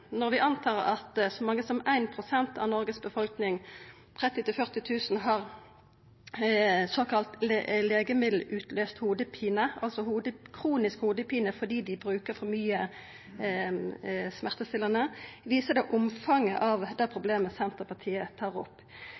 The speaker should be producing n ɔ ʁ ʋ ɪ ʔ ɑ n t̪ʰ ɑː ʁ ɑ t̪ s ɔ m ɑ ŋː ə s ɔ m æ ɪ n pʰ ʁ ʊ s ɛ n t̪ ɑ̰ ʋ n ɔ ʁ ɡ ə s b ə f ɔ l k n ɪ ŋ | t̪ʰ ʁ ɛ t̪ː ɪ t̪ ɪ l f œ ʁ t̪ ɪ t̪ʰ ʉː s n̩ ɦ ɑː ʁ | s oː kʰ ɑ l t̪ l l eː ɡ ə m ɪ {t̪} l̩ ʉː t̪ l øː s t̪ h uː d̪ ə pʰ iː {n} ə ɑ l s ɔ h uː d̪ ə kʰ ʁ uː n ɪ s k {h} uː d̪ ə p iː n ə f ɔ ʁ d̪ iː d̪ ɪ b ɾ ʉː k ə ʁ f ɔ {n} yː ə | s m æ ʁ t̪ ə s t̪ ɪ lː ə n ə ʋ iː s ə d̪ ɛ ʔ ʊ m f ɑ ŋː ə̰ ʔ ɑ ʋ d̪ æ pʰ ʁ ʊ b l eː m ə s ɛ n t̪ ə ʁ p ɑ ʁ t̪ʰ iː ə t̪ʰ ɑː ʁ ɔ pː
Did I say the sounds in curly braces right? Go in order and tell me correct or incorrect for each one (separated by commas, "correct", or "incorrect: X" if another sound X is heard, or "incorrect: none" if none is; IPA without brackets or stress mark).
incorrect: d̪, correct, correct, incorrect: m